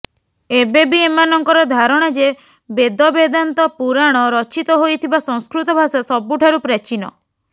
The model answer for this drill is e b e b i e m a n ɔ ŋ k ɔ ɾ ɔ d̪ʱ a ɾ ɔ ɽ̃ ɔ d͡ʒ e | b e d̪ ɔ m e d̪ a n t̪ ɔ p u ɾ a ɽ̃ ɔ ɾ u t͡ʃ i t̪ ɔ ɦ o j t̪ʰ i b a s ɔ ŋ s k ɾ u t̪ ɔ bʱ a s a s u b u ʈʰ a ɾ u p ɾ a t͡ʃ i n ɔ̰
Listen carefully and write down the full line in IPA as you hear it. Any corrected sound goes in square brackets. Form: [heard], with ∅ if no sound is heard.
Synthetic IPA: e b e b i e m a n ɔ ŋ k ɔ ɾ ɔ d̪ʱ a ɾ ɔ ɽ̃ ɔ d͡ʒ e | b e d̪ ɔ [b] e d̪ a n t̪ ɔ p u ɾ a ɽ̃ ɔ ɾ [ɔ] t͡ʃ i t̪ ɔ ɦ o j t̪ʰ i b a s ɔ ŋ s k ɾ u t̪ ɔ bʱ a s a s [ɔ] b u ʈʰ a ɾ u p ɾ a t͡ʃ i n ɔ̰